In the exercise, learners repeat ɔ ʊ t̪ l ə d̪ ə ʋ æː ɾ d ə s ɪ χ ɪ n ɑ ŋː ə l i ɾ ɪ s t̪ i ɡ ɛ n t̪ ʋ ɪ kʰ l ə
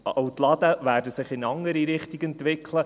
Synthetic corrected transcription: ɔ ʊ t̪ l ɑ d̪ ə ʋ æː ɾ d ə s ɪ χ ɪ n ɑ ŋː ə ɾ i ɾ ɪ χ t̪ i ɡ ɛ n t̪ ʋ ɪ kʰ l ə